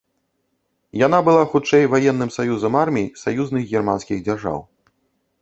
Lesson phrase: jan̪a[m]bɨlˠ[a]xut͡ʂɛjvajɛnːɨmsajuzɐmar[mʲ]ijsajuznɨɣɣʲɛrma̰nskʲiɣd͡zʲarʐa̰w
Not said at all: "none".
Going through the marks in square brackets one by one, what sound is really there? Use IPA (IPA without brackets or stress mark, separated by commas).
none, a, mʲ